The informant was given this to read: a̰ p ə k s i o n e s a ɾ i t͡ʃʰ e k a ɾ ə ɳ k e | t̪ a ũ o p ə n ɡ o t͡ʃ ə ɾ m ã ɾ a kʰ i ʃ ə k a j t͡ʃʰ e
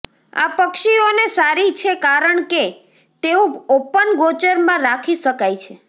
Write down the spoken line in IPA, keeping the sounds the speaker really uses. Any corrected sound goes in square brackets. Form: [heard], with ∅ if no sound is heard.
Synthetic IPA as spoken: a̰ p ə k [ʃ] i o n e s a ɾ i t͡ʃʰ e k a ɾ ə ɳ k e | t̪ [e] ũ o p ə n ɡ o t͡ʃ ə ɾ m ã ɾ a kʰ i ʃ ə k a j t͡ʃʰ e